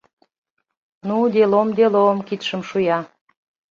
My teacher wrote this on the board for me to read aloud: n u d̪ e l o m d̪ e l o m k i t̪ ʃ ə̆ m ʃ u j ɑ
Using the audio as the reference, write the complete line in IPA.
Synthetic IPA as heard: n u d̪ e l o m d̪ e l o m k i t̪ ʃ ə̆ m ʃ u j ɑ